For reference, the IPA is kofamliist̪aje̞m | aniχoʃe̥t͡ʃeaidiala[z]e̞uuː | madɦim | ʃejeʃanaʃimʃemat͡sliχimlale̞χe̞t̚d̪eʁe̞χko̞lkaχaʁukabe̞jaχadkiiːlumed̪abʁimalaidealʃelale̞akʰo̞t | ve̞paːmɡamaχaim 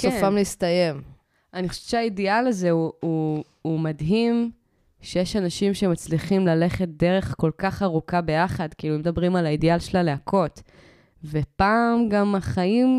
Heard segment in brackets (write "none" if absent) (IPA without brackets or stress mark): z